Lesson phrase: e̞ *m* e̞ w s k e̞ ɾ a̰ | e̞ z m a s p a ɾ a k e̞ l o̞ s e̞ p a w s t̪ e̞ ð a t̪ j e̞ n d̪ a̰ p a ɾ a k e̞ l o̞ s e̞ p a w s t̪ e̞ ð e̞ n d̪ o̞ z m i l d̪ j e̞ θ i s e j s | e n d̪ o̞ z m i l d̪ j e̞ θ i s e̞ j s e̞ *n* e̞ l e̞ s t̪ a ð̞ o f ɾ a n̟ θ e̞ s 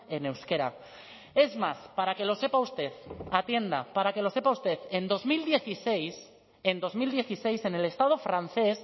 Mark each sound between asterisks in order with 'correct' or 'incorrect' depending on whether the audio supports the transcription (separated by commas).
incorrect, correct